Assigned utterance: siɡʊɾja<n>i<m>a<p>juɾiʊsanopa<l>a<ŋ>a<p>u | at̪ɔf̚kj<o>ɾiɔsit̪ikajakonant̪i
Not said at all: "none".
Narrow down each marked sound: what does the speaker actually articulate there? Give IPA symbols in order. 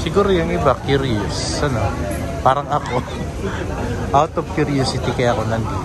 ŋ, b, k, ɾ, ŋ, k, u

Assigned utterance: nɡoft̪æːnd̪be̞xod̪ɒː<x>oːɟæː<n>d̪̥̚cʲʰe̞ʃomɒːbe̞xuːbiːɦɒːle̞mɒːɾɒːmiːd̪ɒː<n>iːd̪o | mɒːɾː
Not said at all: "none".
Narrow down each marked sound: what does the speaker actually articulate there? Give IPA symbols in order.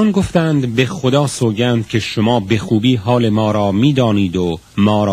s, n, n

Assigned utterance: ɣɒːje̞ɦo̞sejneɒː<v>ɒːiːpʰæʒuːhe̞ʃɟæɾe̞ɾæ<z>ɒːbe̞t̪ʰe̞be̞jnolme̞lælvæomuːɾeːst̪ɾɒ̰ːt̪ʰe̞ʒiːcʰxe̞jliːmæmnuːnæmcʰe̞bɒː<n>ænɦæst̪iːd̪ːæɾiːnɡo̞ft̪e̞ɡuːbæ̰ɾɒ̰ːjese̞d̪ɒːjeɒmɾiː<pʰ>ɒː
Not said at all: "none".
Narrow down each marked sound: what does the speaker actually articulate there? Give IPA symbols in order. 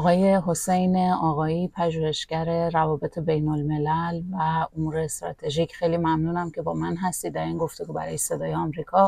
ɣ, v, m, kʰ

